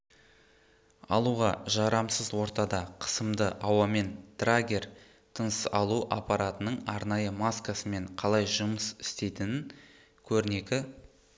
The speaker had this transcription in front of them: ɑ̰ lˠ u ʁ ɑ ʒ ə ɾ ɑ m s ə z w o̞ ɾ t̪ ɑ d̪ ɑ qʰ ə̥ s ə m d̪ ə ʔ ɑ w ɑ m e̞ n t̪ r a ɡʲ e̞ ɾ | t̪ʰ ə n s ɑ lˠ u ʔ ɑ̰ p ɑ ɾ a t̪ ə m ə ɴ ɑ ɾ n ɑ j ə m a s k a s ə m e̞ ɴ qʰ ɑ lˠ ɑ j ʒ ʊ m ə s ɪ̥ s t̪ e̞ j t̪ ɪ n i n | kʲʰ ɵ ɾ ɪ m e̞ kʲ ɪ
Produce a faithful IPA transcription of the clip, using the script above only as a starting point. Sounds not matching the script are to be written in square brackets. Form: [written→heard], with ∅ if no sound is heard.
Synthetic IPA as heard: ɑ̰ lˠ u ʁ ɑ ʒ [ə→ɑ] ɾ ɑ m s ə z w o̞ ɾ t̪ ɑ d̪ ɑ qʰ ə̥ s ə m d̪ ə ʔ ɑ w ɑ m e̞ n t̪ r a ɡʲ e̞ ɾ | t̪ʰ ə n s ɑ lˠ u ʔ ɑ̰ p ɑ ɾ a t̪ ə [m→n] ə ɴ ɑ ɾ n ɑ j ə m a s k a s ə m e̞ ɴ qʰ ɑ lˠ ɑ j ʒ ʊ m ə s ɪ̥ s t̪ e̞ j t̪ ɪ n [i→ɪ] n | kʲʰ ɵ ɾ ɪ [m→n] e̞ kʲ ɪ